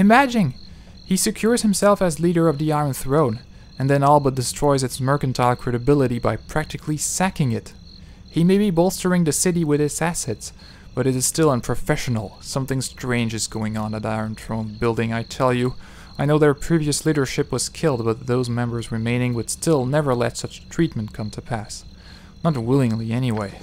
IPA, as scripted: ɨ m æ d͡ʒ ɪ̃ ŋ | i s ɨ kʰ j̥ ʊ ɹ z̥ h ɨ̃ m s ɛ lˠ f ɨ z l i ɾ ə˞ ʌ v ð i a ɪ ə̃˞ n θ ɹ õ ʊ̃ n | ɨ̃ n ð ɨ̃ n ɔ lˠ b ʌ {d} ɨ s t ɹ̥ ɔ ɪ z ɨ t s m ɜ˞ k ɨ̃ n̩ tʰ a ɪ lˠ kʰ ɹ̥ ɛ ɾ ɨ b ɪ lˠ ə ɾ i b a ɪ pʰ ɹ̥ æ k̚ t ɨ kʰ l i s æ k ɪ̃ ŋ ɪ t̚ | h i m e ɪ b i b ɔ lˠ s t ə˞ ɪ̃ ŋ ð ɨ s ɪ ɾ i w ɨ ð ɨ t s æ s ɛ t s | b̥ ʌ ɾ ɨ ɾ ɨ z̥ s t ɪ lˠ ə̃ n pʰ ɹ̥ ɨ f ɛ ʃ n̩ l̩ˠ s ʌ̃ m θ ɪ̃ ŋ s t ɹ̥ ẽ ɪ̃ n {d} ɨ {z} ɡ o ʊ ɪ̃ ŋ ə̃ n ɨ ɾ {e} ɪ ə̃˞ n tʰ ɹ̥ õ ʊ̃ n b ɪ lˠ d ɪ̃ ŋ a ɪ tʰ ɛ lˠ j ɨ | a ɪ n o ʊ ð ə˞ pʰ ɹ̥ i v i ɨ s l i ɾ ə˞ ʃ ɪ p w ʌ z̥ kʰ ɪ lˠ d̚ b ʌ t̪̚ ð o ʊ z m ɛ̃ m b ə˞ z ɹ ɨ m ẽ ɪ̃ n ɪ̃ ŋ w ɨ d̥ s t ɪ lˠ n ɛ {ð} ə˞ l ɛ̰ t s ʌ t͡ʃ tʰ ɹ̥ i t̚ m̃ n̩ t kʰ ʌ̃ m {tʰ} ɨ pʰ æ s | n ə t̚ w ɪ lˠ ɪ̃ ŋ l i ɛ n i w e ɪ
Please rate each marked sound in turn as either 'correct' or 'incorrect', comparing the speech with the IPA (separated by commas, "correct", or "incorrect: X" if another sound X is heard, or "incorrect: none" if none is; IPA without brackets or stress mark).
correct, incorrect: d͡ʒ, correct, incorrect: a, incorrect: v, correct